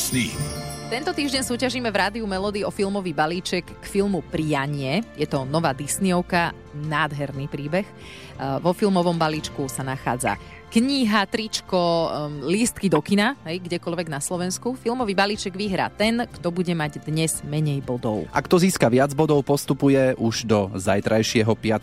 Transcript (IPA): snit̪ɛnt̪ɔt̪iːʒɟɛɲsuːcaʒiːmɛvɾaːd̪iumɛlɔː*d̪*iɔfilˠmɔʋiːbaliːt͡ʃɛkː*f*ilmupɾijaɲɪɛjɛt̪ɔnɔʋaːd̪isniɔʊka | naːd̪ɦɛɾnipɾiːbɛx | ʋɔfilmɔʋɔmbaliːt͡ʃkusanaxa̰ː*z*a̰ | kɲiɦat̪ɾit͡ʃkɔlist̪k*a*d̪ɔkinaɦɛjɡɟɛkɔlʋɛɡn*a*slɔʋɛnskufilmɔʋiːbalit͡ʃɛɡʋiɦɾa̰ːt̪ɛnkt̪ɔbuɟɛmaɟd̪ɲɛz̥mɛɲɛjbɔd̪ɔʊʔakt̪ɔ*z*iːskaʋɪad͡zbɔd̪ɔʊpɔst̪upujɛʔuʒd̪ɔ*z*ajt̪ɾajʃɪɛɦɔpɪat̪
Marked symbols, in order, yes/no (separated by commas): yes, yes, no, no, yes, yes, yes